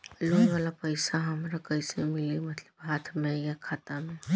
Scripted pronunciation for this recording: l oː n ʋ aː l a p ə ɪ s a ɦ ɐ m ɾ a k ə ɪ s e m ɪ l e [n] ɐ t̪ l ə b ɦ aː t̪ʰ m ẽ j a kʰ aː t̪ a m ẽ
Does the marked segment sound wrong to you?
yes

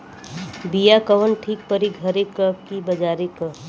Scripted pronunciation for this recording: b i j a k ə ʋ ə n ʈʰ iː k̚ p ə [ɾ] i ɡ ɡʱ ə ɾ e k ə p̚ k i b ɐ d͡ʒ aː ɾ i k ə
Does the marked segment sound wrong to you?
no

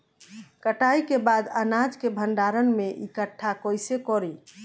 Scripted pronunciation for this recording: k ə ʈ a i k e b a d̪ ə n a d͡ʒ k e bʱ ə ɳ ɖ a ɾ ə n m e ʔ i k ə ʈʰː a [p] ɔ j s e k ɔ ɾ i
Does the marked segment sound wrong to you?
yes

